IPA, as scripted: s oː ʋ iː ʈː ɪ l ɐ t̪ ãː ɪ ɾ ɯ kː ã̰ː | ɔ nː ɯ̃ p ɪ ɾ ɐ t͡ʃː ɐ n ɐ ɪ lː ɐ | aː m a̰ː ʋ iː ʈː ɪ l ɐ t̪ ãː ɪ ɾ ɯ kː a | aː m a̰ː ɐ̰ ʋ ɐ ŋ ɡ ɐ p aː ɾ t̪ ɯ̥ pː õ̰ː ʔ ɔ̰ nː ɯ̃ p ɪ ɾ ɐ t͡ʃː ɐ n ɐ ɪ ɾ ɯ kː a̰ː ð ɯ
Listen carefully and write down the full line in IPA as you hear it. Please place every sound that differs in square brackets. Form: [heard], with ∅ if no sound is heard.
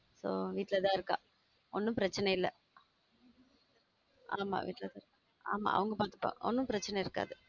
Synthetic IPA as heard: s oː ʋ iː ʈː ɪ l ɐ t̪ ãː ɪ ɾ ɯ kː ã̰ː | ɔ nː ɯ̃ p ɪ ɾ ɐ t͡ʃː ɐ n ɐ ɪ lː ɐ | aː m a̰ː ʋ iː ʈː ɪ l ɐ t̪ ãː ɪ ɾ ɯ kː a | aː m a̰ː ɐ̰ ʋ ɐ ŋ ɡ ɐ p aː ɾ t̪ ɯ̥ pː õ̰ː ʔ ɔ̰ nː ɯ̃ p ɪ ɾ ɐ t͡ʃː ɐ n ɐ ɪ ɾ ɯ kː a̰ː ð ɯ